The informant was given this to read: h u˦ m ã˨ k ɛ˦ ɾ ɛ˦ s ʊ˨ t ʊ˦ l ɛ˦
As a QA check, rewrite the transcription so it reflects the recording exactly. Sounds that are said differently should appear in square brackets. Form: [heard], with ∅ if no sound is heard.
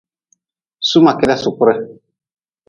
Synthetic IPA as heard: [s] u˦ m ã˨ k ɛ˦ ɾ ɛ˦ s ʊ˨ [k] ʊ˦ [ɾ] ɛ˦